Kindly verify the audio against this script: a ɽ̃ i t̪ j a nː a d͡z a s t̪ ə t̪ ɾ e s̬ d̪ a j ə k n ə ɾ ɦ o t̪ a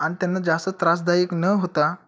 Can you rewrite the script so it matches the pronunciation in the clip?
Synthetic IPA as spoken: a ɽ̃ i t̪ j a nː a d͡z a s t̪ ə t̪ ɾ a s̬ d̪ a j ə k n ə ɦ o t̪ a